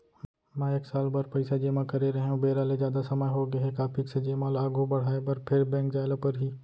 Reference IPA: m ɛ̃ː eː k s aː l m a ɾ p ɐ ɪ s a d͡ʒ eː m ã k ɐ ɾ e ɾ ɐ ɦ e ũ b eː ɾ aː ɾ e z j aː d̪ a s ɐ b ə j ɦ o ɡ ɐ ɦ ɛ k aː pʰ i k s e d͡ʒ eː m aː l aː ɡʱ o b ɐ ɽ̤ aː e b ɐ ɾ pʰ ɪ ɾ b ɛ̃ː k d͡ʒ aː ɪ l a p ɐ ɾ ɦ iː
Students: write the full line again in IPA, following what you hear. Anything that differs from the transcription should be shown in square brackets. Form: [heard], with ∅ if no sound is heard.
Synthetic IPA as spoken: m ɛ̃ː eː k s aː l [b] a ɾ p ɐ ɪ s a d͡ʒ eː m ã k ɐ ɾ e ɾ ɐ ɦ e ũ b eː ɾ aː [l] e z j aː d̪ a s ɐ [m] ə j ɦ o ɡ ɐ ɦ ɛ k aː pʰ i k s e d͡ʒ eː m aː l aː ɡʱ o b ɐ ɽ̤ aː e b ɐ ɾ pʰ ɪ ɾ b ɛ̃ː k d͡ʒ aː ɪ l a p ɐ ɾ ɦ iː